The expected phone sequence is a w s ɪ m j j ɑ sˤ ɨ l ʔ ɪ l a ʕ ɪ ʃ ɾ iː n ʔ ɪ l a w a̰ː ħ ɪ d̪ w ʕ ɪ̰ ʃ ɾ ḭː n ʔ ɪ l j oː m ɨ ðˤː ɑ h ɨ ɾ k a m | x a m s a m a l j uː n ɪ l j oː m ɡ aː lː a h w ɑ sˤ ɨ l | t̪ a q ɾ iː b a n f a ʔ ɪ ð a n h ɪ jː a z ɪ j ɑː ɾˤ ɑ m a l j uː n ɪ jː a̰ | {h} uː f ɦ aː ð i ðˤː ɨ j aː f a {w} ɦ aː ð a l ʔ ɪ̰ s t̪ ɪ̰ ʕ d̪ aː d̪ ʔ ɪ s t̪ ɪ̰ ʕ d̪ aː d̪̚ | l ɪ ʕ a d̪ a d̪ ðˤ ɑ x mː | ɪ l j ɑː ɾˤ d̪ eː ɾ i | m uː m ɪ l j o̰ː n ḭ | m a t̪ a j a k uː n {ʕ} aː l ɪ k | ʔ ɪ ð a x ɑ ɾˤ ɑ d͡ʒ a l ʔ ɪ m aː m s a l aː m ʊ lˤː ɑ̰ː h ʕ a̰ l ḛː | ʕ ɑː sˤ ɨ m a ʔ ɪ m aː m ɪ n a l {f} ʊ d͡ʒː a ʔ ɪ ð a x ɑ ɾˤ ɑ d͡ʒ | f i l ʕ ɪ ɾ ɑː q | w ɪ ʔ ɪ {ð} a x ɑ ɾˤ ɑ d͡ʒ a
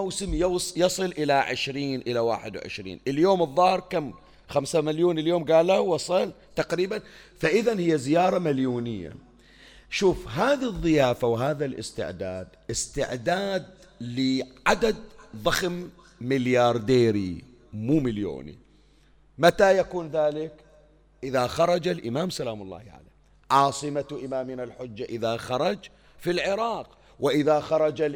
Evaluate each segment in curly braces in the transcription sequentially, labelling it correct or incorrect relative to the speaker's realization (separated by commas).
incorrect, correct, incorrect, incorrect, correct